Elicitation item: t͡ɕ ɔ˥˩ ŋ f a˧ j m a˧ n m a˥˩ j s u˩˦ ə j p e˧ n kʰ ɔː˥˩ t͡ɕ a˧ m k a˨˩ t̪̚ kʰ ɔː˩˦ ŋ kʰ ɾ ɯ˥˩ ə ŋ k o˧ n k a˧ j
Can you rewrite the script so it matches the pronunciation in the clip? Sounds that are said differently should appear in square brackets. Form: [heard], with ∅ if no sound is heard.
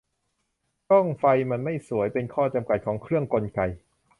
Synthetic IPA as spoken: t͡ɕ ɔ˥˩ ŋ f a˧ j m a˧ n m a˥˩ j s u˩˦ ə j p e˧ n kʰ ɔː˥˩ t͡ɕ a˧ m k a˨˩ t̪̚ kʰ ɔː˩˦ ŋ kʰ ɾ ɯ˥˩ ə ŋ k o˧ n k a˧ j